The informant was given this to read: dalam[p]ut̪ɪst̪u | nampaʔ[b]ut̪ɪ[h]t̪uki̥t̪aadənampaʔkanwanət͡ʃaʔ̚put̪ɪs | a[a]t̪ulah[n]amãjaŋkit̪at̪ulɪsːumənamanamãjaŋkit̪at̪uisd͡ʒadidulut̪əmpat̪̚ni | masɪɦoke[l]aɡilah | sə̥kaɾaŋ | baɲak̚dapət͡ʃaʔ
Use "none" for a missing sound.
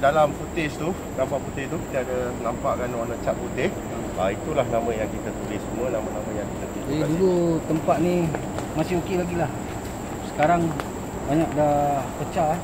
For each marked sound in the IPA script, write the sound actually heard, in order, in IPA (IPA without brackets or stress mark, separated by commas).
p, p, s, i, n, l